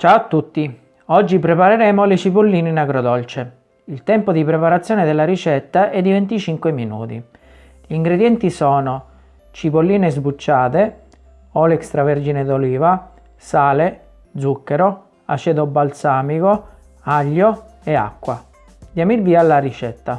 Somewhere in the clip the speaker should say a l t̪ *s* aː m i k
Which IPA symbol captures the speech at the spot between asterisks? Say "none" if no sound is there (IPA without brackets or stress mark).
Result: s